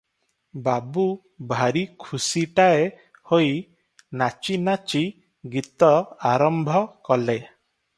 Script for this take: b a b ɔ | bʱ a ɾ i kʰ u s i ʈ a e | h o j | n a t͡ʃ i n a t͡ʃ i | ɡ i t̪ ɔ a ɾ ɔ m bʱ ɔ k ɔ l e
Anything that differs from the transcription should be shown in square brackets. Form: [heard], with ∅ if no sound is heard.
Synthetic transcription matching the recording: b a b [u] | bʱ a ɾ i kʰ u s i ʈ a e | h o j | n a t͡ʃ i n a t͡ʃ i | ɡ i t̪ ɔ a ɾ ɔ m bʱ ɔ k ɔ l e